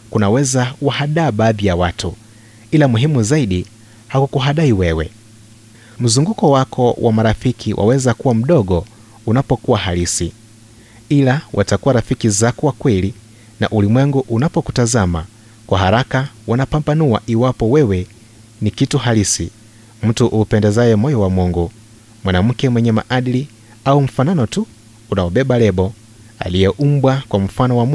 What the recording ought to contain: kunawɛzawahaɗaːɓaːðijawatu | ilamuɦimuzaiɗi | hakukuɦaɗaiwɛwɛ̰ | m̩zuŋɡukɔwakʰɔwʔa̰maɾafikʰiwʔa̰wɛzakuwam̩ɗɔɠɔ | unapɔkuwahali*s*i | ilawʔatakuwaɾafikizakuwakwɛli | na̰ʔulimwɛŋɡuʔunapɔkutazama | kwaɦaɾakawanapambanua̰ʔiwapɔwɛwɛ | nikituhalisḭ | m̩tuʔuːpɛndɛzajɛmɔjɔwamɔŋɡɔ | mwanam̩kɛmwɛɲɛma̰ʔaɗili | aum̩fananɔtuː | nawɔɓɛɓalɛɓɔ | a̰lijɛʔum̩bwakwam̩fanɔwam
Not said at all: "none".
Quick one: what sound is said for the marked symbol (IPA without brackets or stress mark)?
s